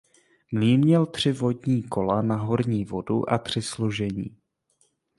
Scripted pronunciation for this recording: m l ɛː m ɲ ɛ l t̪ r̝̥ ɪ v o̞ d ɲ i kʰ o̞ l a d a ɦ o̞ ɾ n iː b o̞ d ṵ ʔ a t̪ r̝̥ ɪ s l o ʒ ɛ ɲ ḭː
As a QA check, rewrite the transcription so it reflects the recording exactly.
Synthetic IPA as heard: m l iː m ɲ ɛ l t̪ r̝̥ ɪ v o̞ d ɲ iː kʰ o̞ l a n a ɦ o̞ ɾ ɲ iː v o̞ d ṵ ʔ a t̪ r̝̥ ɪ s l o ʒ ɛ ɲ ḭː